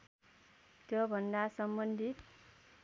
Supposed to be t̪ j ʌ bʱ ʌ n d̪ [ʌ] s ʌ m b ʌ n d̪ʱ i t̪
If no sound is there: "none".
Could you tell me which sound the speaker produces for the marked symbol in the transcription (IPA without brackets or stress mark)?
a